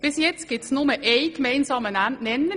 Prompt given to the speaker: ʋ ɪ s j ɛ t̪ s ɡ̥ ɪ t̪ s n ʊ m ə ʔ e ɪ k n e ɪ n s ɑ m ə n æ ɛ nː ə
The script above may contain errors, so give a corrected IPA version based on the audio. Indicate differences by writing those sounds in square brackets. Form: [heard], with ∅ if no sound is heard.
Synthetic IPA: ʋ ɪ s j ɛ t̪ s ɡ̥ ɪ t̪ s n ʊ m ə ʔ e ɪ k [m] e ɪ n s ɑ m ə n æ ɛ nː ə